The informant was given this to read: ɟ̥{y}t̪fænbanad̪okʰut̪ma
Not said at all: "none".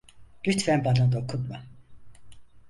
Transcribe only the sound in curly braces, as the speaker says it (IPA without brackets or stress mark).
y